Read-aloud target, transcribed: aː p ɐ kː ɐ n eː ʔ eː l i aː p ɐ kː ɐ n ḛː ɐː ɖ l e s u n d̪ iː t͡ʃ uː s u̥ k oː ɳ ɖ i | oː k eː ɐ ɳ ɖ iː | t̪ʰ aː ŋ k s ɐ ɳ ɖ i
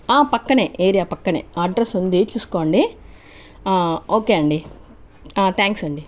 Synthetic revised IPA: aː p ɐ kː ɐ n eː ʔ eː ɾ i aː p ɐ kː ɐ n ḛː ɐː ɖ ɾ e s u n d̪ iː t͡ʃ uː s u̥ k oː ɳ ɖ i | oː k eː ɐ ɳ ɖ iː | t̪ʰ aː ŋ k s ɐ ɳ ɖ i